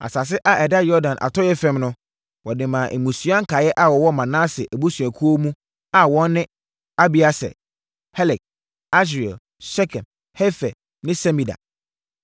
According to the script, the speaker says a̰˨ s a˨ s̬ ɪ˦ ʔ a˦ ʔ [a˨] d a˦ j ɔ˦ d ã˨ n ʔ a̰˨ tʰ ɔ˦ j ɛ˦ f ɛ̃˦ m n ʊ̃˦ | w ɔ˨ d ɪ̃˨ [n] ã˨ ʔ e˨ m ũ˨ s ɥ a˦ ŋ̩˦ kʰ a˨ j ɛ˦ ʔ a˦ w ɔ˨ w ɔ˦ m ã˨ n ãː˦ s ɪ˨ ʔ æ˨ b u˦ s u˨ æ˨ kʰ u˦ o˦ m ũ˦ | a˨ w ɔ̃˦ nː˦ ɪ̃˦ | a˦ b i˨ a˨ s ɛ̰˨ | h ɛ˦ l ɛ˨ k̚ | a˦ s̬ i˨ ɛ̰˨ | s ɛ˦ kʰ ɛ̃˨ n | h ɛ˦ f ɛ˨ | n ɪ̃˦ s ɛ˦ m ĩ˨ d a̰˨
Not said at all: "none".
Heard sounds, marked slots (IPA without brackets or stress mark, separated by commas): ɛ˨, m